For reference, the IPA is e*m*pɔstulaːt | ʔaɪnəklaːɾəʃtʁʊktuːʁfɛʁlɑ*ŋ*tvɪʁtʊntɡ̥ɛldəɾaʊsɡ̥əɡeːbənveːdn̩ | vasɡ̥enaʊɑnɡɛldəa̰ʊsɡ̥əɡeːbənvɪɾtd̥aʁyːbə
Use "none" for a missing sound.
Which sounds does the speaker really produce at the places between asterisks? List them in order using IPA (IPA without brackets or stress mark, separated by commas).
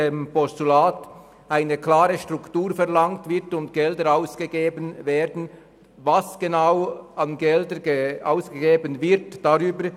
m, ŋ